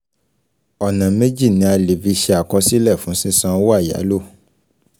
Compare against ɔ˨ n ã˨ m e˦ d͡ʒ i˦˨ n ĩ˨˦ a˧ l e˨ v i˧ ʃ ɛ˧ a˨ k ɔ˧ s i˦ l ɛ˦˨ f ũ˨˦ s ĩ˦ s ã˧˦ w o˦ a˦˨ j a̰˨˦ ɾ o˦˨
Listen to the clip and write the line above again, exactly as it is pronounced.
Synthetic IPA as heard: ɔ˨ n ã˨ m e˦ d͡ʒ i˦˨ n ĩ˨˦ a˧ l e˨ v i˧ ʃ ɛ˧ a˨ k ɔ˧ s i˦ l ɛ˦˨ f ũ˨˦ s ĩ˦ s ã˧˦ w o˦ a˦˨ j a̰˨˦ l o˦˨